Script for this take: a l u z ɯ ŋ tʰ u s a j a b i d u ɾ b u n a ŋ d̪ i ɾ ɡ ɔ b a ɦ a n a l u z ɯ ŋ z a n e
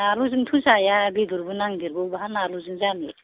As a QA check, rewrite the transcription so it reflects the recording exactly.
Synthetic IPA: a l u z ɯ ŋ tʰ u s a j a b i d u ɾ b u n a ŋ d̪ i ɾ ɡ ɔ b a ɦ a n a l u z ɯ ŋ z a n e